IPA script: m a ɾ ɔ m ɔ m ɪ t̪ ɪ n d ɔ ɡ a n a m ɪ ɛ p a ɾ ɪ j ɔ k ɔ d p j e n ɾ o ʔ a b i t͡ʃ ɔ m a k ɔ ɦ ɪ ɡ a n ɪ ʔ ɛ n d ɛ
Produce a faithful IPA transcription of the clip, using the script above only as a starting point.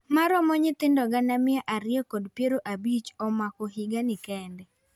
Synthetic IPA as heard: m a ɾ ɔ m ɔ ɲ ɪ t̪ ɪ n d ɔ ɡ a n a m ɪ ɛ ʔ a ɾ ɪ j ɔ k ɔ d p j e ɾ o ʔ a b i t͡ʃ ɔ m a k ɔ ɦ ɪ ɡ a n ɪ k ɛ n d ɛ